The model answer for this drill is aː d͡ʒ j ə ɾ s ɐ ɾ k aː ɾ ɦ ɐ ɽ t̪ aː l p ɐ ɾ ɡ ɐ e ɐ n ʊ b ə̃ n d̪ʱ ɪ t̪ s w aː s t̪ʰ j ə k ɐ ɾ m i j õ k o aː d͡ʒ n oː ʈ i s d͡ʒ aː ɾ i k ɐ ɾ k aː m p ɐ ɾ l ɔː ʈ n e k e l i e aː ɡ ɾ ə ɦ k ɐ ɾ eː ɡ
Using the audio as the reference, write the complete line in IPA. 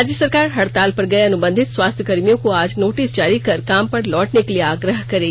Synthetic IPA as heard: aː d͡ʒ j ə s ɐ ɾ k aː ɾ ɦ ɐ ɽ t̪ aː l p ɐ ɾ ɡ ɐ e ɐ n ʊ b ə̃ n d̪ʱ ɪ t̪ s w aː s t̪ʰ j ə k ɐ ɾ m i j õ k o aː d͡ʒ n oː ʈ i s d͡ʒ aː ɾ i k ɐ ɾ k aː m p ɐ ɾ l ɔː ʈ n e k e l i e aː ɡ ɾ ə ɦ k ɐ ɾ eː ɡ